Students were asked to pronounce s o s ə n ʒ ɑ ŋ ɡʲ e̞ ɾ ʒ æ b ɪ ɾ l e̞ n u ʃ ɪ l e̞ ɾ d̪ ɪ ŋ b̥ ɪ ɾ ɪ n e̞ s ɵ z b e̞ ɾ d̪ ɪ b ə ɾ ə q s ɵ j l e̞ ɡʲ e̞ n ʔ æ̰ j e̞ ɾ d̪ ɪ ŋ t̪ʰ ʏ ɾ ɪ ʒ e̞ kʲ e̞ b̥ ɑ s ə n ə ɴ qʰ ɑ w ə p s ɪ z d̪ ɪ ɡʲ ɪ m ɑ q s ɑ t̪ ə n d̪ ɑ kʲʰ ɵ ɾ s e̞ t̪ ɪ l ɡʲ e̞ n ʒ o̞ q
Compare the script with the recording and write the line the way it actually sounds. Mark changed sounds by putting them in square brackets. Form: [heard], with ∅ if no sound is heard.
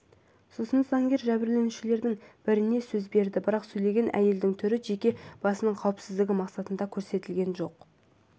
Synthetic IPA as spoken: s o s ə n [z] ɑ ŋ ɡʲ e̞ ɾ ʒ æ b ɪ ɾ l e̞ n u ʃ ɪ l e̞ ɾ d̪ ɪ ŋ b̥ ɪ ɾ ɪ n e̞ s ɵ z b e̞ ɾ d̪ ɪ b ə ɾ [ɑ] q s ɵ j l e̞ ɡʲ e̞ n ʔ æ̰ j e̞ [l] d̪ ɪ ŋ t̪ʰ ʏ ɾ ɪ ʒ e̞ kʲ e̞ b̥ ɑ s ə n ə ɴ qʰ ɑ w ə p s ɪ z d̪ ɪ ɡʲ ɪ m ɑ q s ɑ t̪ ə n d̪ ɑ kʲʰ ɵ ɾ s e̞ t̪ ɪ l ɡʲ e̞ n ʒ o̞ q

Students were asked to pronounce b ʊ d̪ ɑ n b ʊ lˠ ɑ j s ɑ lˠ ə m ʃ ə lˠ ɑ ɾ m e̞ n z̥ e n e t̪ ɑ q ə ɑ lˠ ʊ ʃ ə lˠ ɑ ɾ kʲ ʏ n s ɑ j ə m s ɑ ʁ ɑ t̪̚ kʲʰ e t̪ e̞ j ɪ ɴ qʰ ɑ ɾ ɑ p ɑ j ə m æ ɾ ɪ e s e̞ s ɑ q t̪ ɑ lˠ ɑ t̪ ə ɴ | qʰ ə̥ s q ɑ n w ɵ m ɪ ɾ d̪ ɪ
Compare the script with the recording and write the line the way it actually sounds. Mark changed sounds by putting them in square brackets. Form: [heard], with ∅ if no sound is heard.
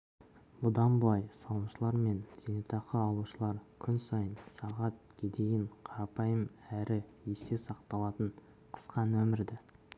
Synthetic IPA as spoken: b ʊ d̪ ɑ n b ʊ lˠ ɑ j s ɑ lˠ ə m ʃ ə lˠ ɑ ɾ m e̞ n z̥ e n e t̪ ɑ q ə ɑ lˠ [u] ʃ ə lˠ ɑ ɾ [kʲʰ] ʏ n s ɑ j ə [n] s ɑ ʁ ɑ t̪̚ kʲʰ e [d̪] e̞ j ɪ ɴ qʰ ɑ ɾ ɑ p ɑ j ə m æ ɾ ɪ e s e̞ s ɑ q t̪ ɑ lˠ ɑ t̪ ə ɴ | qʰ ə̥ s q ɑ n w ɵ m ɪ ɾ d̪ ɪ

